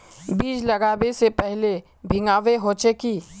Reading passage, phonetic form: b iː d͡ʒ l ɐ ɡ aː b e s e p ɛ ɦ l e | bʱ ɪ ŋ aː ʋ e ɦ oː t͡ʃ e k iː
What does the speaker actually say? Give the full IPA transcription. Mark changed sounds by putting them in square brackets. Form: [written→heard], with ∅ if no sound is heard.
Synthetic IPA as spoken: b iː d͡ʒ l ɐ ɡ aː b e s e p ɛ ɦ l e | bʱ ɪ ŋ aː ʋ e ɦ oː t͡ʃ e k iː